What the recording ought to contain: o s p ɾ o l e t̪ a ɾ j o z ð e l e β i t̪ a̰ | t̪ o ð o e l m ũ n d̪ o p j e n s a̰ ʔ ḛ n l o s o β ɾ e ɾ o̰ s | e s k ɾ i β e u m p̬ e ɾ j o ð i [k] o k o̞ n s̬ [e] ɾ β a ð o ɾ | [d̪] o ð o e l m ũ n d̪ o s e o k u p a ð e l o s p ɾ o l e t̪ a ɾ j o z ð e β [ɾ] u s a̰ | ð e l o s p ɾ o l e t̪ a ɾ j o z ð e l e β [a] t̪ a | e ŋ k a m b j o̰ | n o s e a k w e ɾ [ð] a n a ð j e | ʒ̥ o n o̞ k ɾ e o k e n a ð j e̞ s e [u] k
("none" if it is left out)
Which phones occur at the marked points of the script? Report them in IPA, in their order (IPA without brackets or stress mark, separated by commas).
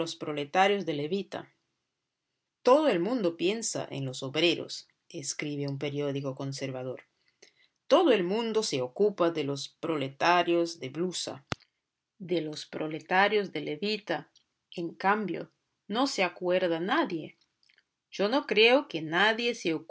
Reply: k, e, t̪, l, i, ð, o